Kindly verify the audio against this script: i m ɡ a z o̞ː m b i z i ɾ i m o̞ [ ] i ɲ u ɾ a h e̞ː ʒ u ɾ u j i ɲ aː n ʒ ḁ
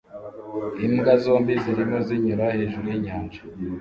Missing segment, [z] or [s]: z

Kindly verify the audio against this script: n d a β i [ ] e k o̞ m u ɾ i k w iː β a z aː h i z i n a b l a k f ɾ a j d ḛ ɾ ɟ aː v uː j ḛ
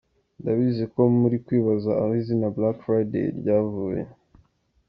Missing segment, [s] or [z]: z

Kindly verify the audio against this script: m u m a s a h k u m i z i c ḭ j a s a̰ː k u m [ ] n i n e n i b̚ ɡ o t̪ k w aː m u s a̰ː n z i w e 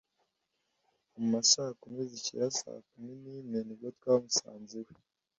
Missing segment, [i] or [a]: i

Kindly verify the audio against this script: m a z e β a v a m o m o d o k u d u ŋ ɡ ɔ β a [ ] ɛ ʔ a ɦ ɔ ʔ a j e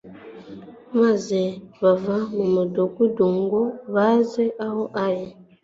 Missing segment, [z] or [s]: z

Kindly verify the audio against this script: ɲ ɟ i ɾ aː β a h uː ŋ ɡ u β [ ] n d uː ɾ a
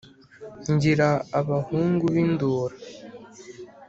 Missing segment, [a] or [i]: i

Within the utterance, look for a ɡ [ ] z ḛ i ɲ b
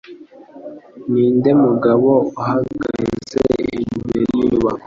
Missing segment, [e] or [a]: a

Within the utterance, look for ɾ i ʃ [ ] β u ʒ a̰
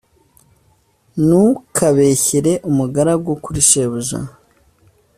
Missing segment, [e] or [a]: e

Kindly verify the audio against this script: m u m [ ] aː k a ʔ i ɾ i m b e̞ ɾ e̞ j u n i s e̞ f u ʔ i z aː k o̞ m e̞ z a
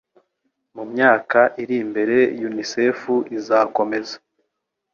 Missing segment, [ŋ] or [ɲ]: ɲ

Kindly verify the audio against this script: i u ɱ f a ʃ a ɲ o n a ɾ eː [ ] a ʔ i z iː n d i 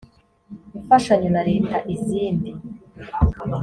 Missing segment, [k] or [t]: t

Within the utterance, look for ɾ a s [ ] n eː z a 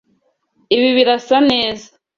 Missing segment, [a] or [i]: a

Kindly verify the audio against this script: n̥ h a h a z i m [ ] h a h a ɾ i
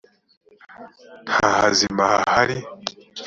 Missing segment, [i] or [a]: a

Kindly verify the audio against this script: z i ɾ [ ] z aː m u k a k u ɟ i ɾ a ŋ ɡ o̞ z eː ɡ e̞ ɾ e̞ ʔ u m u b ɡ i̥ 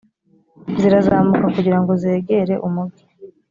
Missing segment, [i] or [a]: a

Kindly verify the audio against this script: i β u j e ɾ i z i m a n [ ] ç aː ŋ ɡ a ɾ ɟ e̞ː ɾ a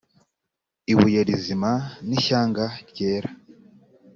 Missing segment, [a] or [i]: i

